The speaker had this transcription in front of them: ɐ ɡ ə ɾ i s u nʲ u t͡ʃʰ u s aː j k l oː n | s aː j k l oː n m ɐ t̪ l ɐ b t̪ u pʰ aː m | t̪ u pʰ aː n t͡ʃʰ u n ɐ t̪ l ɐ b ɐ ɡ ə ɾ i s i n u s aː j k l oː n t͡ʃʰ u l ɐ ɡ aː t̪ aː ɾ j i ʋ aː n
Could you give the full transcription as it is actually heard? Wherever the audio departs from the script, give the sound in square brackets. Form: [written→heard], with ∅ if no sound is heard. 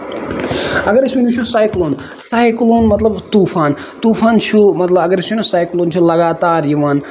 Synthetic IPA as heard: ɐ ɡ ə ɾ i s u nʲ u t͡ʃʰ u s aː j k l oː n | s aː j k l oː n m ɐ t̪ l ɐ b t̪ u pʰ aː [m→n] | t̪ u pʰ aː n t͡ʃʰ u [n→m] ɐ t̪ l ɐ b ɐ ɡ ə ɾ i s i n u s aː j k l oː n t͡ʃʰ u l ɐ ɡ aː t̪ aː ɾ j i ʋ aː n